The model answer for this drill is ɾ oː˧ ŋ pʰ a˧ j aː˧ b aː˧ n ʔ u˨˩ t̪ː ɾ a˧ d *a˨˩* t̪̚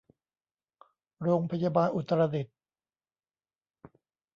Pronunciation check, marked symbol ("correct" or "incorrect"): incorrect